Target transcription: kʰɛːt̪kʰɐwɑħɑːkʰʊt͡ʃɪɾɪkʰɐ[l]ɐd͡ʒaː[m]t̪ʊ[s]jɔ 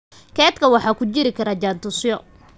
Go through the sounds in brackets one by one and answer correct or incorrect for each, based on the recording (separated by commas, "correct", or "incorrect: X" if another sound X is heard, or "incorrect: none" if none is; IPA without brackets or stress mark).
incorrect: ɾ, incorrect: n, correct